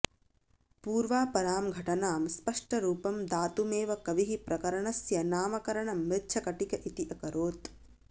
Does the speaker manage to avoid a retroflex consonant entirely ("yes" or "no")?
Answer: no